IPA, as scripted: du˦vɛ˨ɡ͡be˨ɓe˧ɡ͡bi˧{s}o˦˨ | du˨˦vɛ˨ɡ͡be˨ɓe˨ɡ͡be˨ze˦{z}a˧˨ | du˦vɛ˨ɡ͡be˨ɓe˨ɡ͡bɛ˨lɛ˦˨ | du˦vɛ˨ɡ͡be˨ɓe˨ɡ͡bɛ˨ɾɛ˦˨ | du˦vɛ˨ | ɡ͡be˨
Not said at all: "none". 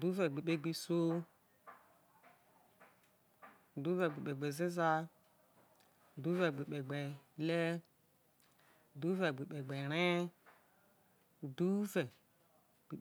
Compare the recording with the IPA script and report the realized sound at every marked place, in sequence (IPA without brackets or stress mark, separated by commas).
s, z